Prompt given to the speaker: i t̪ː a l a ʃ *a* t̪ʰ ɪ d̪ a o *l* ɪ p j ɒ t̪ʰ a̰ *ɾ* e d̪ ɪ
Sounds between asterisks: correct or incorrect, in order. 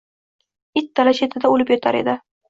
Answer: incorrect, correct, correct

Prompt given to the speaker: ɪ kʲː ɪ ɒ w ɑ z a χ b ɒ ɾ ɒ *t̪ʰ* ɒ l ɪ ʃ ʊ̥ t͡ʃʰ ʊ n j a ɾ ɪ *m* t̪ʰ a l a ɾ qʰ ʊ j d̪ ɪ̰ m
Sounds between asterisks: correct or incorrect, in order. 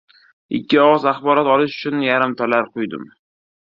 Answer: incorrect, correct

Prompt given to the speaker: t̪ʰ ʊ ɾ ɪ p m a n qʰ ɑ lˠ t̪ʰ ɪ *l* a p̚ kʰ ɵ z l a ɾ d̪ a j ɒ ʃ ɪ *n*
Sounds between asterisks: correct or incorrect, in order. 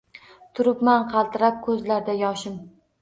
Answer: incorrect, incorrect

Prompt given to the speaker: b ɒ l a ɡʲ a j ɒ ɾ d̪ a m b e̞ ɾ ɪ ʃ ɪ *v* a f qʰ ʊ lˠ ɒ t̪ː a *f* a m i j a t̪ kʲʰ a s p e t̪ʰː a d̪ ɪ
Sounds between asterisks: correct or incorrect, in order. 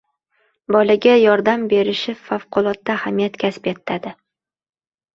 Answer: incorrect, incorrect

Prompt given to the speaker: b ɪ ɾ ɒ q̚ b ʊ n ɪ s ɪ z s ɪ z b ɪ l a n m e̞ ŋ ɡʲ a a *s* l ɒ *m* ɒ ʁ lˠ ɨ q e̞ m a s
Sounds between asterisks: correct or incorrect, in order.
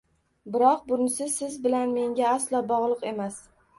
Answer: correct, incorrect

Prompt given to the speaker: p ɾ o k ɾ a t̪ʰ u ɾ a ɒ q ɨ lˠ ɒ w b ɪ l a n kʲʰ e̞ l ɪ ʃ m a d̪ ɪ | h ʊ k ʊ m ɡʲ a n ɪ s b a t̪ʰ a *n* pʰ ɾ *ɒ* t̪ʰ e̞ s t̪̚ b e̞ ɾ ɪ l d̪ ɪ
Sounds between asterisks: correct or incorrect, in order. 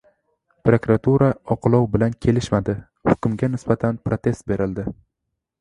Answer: correct, incorrect

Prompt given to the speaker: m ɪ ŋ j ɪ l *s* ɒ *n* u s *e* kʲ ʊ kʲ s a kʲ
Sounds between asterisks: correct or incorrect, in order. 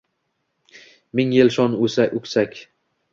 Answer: incorrect, correct, incorrect

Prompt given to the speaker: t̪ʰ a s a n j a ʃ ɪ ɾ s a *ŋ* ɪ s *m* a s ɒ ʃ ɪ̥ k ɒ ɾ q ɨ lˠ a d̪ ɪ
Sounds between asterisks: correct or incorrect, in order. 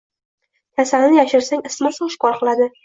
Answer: correct, correct

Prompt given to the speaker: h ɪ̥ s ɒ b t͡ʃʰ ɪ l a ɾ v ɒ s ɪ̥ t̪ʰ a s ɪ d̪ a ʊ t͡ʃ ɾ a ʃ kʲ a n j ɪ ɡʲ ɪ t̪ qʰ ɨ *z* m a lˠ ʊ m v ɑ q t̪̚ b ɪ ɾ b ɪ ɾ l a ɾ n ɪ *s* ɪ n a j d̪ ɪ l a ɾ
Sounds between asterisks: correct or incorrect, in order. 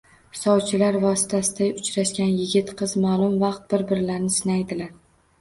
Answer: correct, correct

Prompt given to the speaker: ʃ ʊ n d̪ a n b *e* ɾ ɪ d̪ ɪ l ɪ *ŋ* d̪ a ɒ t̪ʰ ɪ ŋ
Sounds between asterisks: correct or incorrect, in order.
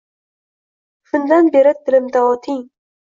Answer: correct, incorrect

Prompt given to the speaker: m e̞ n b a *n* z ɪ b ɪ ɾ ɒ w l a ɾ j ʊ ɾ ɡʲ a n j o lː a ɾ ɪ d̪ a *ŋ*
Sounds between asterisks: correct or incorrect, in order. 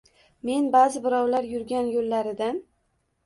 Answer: incorrect, incorrect

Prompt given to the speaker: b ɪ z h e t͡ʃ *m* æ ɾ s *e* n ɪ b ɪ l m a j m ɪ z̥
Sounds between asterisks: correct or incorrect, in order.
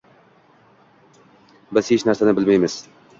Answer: incorrect, incorrect

